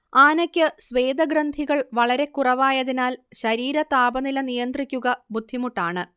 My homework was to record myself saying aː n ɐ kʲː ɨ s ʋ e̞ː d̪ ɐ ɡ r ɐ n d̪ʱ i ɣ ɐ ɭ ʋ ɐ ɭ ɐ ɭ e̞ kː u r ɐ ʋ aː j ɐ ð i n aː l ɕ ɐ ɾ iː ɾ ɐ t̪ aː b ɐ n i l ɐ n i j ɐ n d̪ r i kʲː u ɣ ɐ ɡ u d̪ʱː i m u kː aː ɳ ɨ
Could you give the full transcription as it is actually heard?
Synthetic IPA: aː n ɐ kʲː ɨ s ʋ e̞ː d̪ ɐ ɡ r ɐ n d̪ʱ i ɣ ɐ ɭ ʋ ɐ ɭ ɐ ɾ e̞ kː u r ɐ ʋ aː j ɐ ð i n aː l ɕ ɐ ɾ iː ɾ ɐ t̪ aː b ɐ n i l ɐ n i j ɐ n d̪ r i kʲː u ɣ ɐ b u d̪ʱː i m u ʈː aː ɳ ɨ